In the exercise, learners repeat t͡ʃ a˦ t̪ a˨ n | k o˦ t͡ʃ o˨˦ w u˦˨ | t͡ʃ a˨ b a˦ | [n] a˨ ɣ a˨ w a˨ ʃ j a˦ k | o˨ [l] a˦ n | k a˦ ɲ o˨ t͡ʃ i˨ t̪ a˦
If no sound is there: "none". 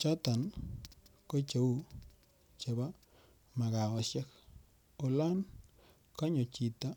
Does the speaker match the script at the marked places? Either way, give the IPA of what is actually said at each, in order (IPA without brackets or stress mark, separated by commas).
m, l